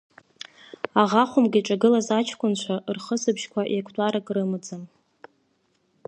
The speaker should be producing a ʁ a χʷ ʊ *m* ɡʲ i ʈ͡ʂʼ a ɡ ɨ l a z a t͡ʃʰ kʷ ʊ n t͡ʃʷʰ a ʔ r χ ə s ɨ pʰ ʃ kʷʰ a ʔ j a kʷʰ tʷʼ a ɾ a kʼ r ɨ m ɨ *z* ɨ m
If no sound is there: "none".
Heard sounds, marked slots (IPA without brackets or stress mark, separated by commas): m, d͡z